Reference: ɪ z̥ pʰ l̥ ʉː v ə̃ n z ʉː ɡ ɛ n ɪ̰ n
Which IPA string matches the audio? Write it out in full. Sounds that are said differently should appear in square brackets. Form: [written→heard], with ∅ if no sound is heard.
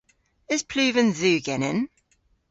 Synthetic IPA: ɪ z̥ pʰ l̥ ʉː v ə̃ n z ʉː ɡ ɛ n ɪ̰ n